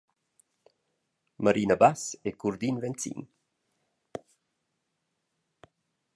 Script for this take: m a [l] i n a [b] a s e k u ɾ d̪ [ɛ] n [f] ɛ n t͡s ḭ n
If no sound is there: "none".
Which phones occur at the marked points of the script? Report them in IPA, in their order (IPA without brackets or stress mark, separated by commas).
ɾ, b, i, v